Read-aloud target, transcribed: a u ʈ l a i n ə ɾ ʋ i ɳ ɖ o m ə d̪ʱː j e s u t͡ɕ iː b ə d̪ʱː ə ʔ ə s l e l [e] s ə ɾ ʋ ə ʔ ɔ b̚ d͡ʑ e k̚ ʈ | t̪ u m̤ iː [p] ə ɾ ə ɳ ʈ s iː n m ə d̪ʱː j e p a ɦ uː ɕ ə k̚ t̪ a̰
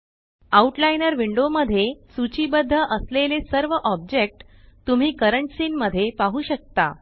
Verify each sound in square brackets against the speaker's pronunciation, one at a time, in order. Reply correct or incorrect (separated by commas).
correct, incorrect